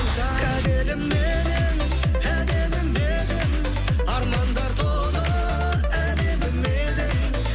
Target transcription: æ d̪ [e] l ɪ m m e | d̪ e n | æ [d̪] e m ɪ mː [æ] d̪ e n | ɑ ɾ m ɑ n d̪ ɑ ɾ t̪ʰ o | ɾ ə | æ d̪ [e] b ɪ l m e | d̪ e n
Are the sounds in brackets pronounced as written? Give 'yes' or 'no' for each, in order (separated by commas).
yes, yes, no, yes